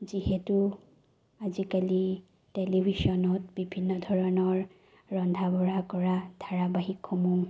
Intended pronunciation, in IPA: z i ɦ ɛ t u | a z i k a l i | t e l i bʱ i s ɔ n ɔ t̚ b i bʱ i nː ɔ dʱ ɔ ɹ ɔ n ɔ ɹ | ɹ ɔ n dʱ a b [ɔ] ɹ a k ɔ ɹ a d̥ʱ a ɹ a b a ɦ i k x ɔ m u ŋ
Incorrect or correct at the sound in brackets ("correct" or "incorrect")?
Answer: correct